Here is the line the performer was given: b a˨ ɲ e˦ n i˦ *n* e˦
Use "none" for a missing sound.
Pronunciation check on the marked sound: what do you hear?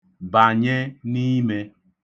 m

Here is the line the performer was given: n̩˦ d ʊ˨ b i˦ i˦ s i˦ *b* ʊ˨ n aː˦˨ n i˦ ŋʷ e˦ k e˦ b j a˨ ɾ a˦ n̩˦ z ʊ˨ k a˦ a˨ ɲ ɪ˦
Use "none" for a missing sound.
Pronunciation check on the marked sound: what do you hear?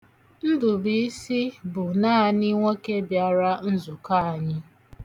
b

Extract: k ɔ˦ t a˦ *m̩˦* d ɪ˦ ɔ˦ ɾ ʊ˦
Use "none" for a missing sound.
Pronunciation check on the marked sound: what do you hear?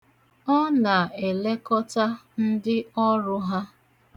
n̩˦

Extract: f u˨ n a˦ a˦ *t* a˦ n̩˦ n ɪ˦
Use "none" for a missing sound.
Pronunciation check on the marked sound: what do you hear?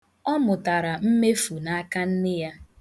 k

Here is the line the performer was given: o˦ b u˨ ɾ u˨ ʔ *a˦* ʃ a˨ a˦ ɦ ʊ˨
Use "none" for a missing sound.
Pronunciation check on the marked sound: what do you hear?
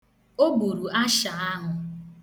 a˦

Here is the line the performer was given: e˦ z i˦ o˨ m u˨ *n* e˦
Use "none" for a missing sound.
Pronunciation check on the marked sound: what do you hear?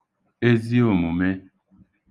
m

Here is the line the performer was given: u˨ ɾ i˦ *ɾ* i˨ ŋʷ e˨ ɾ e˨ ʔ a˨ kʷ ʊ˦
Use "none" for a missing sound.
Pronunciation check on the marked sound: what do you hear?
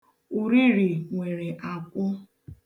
ɾ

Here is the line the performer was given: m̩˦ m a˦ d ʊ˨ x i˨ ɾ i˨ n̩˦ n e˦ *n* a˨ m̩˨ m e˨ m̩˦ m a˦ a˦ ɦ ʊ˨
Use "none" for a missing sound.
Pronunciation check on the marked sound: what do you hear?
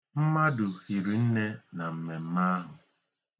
n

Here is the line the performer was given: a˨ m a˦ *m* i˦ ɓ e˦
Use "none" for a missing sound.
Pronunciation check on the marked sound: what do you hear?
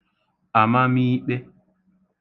m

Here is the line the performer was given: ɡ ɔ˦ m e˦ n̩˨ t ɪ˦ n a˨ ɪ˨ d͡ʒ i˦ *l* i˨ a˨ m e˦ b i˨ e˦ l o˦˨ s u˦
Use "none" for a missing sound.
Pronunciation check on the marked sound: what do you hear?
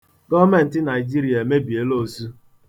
ɾ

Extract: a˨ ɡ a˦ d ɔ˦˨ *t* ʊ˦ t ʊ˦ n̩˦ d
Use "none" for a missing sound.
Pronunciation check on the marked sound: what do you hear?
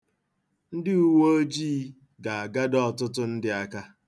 t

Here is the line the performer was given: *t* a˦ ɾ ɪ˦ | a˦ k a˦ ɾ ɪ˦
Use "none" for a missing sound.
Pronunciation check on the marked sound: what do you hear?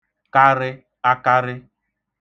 k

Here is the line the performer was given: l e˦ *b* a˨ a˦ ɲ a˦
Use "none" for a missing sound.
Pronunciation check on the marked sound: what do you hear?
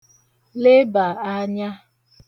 b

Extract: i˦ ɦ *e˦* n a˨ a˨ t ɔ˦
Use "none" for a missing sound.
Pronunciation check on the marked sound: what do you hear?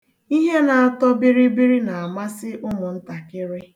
e˦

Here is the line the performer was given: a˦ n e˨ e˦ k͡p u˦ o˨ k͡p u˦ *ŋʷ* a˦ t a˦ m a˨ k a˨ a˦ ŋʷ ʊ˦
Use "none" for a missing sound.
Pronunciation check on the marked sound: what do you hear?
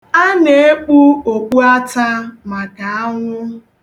none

